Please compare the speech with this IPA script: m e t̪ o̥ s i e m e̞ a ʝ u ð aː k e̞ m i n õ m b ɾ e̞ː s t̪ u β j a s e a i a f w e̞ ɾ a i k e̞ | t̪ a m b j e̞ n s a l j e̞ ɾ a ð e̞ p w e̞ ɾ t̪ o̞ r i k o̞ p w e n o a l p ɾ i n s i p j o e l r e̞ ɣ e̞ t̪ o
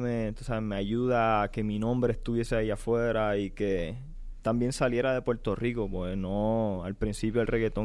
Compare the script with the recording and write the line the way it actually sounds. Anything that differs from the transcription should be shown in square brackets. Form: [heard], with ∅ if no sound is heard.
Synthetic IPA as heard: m e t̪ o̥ s [a] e m e̞ a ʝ u ð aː k e̞ m i n õ m b ɾ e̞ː s t̪ u β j [e] s e a i a f w e̞ ɾ a i k e̞ | t̪ a m b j e̞ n s a l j e̞ ɾ a ð e̞ p w e̞ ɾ t̪ o̞ r i k o̞ p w e n o a l p ɾ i n s i p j o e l r e̞ ɣ e̞ t̪ o